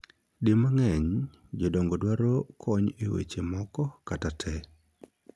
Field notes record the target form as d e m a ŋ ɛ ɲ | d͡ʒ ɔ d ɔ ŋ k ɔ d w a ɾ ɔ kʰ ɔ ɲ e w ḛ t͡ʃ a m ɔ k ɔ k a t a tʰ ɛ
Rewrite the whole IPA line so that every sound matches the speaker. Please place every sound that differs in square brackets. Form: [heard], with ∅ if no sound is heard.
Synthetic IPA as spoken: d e m a ŋ ɛ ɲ | d͡ʒ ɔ d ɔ ŋ [ɡ] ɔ d w a ɾ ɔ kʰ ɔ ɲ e w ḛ t͡ʃ [e] m ɔ k ɔ k a t a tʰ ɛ